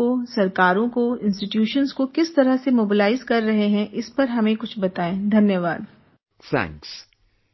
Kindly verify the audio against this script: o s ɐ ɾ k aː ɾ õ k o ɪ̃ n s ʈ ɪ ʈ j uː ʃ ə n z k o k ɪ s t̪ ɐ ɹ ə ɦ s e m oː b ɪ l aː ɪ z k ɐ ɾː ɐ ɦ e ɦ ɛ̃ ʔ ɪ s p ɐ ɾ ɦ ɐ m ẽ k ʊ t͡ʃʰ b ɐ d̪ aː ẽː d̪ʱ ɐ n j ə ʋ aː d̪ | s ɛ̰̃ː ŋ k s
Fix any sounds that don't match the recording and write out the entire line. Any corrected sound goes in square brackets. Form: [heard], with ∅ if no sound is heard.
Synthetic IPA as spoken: o s ɐ ɾ k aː ɾ õ k o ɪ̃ n s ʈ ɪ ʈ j uː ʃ ə n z k o k ɪ s t̪ ɐ [ɾ] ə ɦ s e m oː b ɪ l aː ɪ z k ɐ ɾː ɐ ɦ e ɦ ɛ̃ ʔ ɪ s p ɐ ɾ ɦ ɐ m ẽ k ʊ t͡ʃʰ b ɐ [t̪] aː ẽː d̪ʱ ɐ n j ə ʋ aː d̪ | s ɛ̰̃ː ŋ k s